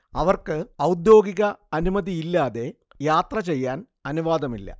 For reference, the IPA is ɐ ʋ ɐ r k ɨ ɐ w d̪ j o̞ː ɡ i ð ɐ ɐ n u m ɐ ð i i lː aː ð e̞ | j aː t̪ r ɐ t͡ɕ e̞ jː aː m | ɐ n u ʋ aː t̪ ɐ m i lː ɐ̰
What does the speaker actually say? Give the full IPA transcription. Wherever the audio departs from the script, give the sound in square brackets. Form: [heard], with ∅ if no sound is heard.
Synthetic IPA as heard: ɐ ʋ ɐ r k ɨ ɐ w d̪ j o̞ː ɡ i [ɣ] ɐ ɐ n u m ɐ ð i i lː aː ð e̞ | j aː t̪ r ɐ t͡ɕ e̞ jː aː [n] | ɐ n u ʋ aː [d̪] ɐ m i lː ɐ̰